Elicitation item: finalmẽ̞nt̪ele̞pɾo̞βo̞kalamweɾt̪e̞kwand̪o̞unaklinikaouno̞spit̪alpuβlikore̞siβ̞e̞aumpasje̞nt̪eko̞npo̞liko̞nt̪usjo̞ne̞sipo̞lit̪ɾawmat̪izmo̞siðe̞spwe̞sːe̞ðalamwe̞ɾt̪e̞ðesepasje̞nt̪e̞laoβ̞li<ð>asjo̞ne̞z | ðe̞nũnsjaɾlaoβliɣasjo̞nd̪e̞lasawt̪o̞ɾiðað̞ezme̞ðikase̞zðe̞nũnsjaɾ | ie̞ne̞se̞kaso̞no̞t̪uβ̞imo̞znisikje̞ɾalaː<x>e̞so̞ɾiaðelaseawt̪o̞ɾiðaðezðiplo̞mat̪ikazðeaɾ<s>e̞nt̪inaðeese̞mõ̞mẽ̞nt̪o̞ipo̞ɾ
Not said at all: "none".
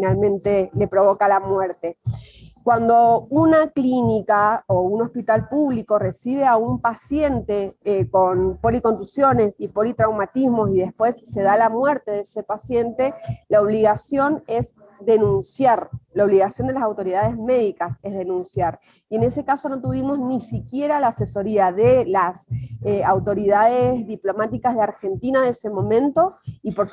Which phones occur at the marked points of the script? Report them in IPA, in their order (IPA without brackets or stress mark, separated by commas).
ɣ, s, x